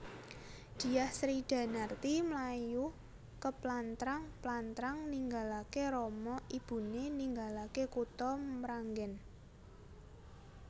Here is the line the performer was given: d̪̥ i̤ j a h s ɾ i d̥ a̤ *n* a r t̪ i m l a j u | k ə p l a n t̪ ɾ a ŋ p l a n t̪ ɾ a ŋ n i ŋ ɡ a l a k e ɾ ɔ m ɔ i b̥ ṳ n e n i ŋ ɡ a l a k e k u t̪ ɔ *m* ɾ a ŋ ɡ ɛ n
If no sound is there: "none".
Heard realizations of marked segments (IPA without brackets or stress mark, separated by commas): n, m